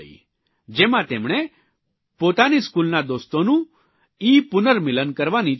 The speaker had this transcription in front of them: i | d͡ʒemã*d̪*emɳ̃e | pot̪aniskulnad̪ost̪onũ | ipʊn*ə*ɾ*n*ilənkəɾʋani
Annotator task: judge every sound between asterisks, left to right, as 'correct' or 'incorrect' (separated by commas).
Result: incorrect, correct, incorrect